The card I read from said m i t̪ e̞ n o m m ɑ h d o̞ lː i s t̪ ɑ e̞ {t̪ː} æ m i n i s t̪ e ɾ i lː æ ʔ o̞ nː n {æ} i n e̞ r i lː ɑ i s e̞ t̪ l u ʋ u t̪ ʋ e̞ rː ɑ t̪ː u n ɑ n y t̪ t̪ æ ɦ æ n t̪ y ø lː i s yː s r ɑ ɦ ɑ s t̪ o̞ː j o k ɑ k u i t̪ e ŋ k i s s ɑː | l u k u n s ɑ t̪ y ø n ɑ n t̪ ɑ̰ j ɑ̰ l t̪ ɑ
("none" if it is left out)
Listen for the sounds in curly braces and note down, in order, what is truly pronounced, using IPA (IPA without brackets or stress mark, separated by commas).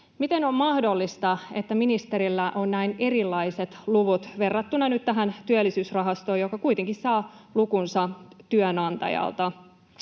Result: t̪ː, æ